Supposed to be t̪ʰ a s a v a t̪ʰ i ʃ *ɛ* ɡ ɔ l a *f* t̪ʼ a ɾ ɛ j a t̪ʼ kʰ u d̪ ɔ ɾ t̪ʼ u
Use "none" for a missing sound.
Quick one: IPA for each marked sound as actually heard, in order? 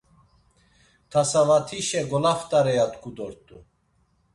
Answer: ɛ, f

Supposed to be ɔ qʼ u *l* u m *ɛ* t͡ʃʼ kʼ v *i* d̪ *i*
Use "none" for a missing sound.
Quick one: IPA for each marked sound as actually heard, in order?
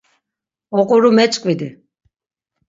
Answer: ɾ, ɛ, i, i

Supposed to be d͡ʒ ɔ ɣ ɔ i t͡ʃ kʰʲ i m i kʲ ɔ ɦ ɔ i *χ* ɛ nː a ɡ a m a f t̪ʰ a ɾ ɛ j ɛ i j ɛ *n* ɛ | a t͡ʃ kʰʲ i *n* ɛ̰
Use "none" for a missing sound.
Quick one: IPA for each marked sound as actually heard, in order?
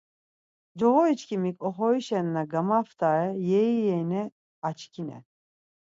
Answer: ʃ, n, n

